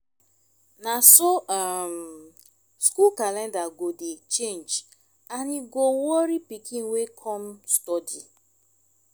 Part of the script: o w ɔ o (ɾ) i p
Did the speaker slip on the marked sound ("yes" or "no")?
no